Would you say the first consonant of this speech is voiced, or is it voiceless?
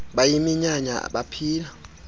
voiced